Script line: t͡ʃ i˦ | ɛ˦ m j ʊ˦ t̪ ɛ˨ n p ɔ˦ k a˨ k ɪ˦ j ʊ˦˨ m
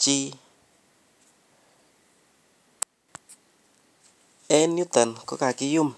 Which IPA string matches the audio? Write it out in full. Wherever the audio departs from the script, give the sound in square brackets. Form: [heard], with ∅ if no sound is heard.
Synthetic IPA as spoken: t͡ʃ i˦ | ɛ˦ [n] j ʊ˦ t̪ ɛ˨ n [k] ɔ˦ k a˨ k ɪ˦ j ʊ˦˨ m